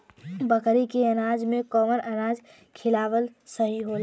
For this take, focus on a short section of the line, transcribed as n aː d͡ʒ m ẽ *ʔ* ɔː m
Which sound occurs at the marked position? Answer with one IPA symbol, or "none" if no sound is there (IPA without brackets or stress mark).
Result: k